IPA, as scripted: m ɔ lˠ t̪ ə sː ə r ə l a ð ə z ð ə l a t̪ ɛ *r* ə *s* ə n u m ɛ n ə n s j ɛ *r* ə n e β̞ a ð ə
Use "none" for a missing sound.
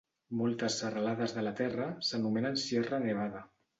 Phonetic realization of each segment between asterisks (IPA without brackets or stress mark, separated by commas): r, s, r